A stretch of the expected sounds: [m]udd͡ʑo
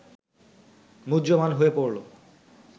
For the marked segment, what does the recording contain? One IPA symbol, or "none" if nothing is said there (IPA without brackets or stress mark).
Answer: m